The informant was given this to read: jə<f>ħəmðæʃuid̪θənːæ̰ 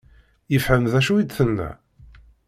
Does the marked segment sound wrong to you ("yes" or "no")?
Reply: no